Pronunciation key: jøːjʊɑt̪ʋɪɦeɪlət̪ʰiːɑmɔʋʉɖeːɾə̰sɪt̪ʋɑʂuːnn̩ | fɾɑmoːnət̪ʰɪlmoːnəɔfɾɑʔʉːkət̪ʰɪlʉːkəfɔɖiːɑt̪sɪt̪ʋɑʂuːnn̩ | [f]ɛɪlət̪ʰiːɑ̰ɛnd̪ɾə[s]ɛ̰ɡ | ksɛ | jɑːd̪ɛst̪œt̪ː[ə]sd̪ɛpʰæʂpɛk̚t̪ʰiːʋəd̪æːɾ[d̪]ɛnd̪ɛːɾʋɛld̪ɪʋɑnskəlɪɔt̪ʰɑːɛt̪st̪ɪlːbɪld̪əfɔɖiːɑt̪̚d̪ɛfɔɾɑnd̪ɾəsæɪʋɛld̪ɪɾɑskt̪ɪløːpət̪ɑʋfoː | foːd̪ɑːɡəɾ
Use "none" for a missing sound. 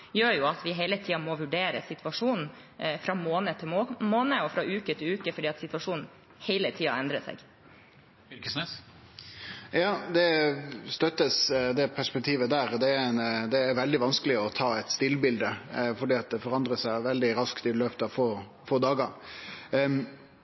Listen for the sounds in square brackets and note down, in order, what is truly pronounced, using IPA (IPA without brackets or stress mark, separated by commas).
h, s, ə, d̪